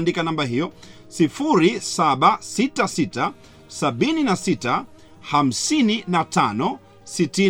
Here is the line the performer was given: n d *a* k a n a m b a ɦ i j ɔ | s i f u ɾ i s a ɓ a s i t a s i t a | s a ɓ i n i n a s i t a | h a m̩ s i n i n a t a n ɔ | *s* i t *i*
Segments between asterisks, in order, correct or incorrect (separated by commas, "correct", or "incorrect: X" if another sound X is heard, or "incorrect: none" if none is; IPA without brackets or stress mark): incorrect: i, correct, correct